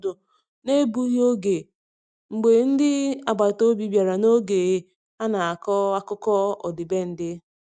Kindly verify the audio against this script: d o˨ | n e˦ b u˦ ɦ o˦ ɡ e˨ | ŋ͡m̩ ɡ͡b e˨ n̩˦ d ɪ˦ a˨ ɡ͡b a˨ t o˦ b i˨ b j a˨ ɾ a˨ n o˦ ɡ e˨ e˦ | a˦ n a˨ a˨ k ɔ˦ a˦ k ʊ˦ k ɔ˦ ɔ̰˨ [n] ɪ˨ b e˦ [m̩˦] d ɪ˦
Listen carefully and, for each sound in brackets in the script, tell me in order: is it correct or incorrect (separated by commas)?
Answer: incorrect, incorrect